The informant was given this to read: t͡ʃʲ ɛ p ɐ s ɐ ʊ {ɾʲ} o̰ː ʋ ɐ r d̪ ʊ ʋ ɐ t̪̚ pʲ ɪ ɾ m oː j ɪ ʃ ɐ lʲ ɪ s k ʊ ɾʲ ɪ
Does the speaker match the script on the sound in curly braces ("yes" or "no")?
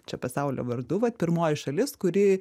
no